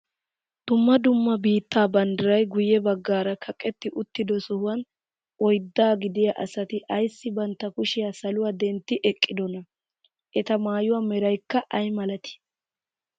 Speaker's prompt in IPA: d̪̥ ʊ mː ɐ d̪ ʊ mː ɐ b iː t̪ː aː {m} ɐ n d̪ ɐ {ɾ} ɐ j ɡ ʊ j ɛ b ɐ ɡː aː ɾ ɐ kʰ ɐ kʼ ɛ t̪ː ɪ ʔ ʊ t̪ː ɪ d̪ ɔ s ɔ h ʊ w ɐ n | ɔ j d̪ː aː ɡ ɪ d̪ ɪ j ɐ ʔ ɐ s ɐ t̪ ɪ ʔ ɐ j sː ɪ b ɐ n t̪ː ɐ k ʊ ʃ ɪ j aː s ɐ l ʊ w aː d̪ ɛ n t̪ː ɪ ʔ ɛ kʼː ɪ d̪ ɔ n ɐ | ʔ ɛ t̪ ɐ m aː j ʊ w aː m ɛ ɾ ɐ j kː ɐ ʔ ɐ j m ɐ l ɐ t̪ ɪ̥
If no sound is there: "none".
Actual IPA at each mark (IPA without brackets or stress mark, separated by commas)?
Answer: b, ɾ